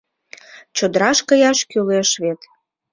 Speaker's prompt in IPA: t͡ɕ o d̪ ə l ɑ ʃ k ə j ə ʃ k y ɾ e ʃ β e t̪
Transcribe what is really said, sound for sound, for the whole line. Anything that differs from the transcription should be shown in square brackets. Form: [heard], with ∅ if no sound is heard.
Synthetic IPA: t͡ɕ o d̪ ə [ɾ] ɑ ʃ k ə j [ɑ] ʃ k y [l] e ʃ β e t̪